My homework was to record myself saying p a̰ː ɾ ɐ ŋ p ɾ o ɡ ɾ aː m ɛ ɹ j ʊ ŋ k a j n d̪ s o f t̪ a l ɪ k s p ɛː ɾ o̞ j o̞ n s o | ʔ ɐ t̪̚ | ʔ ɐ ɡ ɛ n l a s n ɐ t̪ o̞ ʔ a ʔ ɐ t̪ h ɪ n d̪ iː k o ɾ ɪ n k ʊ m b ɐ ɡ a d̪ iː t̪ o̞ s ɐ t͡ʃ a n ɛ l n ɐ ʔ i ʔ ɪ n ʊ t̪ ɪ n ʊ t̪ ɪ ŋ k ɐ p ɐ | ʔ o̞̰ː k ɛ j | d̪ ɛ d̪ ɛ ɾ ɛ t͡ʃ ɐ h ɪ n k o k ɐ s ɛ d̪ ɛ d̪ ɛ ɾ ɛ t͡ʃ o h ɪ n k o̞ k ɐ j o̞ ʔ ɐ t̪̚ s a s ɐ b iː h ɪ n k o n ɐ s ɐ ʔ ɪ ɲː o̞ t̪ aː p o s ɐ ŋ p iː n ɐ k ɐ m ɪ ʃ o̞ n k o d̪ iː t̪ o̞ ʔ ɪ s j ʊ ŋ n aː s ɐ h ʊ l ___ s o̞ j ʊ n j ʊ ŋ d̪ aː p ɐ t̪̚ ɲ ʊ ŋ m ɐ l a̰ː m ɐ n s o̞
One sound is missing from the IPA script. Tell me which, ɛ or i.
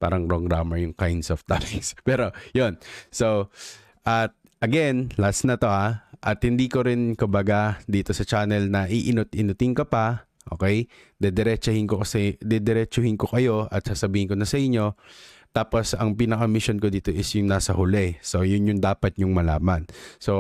ɛ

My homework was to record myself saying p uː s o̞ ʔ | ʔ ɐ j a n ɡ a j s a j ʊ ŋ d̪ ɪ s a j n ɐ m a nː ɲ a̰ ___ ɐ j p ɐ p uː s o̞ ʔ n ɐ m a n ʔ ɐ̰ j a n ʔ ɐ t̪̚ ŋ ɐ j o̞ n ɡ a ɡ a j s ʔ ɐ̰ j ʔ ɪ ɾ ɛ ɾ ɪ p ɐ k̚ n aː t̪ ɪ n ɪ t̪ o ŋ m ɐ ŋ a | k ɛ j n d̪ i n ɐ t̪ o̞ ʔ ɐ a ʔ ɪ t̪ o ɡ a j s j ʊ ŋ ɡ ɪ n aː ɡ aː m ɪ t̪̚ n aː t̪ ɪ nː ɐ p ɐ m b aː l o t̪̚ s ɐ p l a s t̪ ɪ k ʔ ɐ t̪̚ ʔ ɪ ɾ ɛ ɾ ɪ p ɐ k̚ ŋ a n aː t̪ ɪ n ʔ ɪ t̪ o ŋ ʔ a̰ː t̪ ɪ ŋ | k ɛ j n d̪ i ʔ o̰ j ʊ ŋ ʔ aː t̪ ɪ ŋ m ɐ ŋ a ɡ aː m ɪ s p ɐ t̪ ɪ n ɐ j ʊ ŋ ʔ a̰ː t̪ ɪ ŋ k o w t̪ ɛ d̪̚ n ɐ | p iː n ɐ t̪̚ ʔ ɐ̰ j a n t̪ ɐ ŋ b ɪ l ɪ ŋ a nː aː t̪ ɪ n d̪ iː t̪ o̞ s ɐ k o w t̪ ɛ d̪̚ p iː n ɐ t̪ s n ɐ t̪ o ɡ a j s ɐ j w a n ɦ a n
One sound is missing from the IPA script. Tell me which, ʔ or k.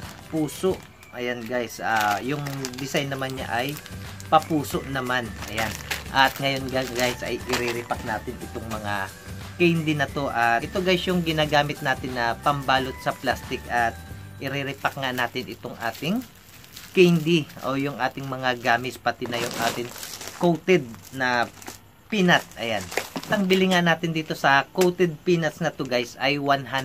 ʔ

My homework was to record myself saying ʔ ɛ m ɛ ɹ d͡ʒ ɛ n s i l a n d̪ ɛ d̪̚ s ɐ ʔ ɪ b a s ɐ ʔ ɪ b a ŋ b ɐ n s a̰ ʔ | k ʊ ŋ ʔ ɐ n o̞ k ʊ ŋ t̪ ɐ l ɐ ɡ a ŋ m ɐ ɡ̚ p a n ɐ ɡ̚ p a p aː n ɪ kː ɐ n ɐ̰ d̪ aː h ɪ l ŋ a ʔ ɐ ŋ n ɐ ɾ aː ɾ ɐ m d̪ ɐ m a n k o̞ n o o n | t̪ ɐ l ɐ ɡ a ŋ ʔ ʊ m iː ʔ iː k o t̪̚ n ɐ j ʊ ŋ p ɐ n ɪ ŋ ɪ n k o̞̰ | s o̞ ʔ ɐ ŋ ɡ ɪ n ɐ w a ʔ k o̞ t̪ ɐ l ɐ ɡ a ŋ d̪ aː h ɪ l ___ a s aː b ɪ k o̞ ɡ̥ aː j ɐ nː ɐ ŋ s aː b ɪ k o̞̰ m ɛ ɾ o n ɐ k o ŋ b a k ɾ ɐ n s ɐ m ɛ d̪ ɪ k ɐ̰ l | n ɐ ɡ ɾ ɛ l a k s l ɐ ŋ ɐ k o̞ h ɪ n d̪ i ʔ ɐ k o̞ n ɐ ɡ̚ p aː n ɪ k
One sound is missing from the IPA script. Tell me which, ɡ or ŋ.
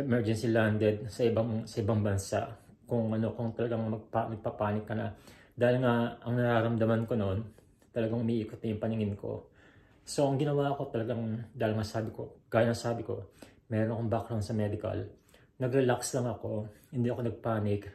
ŋ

